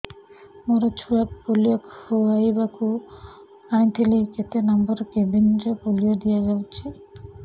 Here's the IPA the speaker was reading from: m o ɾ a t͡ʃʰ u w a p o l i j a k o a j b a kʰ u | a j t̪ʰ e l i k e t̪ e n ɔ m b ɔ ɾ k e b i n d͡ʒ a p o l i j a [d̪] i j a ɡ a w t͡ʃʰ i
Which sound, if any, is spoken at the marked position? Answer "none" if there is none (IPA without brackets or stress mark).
d̪